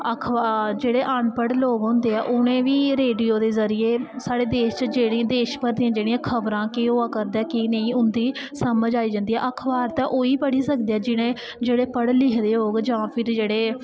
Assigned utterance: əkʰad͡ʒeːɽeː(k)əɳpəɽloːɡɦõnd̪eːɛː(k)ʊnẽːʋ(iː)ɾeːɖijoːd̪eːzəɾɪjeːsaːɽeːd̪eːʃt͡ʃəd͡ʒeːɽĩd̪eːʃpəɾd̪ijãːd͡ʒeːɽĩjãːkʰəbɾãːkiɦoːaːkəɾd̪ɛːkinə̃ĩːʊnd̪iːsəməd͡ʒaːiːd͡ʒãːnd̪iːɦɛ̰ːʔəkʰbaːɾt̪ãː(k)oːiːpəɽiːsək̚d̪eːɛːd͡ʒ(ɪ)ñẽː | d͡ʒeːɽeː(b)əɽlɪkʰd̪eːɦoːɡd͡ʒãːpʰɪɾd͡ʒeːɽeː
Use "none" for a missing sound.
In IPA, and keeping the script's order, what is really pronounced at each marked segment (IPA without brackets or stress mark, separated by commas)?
ʔ, ʔ, iː, ʔ, ɪ, p